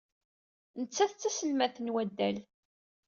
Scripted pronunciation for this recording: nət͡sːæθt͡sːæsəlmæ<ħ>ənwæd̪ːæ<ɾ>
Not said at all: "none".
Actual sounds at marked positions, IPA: θ, l

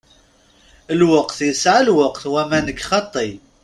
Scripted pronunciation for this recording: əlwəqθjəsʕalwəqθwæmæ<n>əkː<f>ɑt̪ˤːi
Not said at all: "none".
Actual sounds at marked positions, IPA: n, χ

